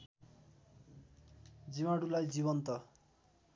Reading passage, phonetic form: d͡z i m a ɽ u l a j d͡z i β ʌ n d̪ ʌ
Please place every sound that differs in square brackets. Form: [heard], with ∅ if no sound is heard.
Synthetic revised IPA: d͡z i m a ɽ u l a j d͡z i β ʌ n [t̪] ʌ